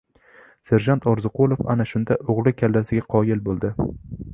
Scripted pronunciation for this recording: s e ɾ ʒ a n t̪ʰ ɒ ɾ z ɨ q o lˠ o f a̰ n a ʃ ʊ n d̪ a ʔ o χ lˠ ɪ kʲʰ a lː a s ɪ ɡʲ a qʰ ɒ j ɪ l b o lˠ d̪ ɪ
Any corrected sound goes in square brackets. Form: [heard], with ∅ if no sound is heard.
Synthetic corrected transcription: s e ɾ ʒ a n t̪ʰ ɒ ɾ z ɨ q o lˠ o f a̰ n a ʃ ʊ n d̪ a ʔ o [ʁ] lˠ ɪ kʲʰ a lː a s ɪ ɡʲ a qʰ ɒ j ɪ l b o lˠ d̪ ɪ